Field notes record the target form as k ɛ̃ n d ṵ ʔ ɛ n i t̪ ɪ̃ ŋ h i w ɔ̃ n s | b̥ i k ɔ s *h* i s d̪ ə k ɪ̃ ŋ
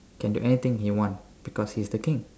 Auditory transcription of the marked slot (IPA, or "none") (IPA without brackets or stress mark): h